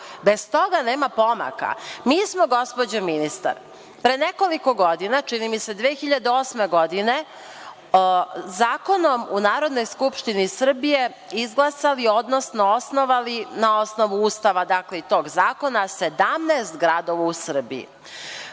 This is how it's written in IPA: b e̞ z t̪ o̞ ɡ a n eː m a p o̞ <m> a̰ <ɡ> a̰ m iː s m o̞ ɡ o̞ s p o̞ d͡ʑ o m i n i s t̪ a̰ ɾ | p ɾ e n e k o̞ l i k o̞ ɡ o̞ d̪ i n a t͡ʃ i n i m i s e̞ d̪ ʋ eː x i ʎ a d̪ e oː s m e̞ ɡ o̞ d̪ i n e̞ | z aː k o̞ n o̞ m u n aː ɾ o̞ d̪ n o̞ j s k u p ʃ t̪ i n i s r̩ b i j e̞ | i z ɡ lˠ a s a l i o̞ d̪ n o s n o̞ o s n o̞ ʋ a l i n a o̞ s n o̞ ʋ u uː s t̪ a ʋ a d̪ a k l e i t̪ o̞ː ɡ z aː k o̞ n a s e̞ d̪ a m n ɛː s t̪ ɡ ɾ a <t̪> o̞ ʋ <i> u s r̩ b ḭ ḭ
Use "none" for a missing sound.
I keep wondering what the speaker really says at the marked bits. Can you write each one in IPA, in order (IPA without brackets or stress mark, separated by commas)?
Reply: m, k, d̪, a